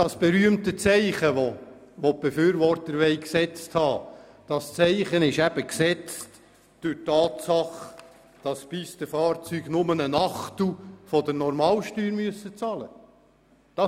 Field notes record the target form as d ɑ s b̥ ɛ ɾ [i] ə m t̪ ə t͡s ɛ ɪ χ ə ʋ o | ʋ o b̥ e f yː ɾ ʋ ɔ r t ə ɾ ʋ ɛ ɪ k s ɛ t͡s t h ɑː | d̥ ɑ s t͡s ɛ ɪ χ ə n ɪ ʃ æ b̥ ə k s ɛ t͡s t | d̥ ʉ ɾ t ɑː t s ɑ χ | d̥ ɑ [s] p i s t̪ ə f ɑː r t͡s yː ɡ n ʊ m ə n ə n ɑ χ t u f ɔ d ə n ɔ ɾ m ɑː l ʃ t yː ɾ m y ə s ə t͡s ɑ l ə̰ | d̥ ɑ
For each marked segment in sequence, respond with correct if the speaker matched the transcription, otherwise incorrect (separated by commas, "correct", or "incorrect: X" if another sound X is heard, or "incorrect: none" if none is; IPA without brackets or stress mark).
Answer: incorrect: y, correct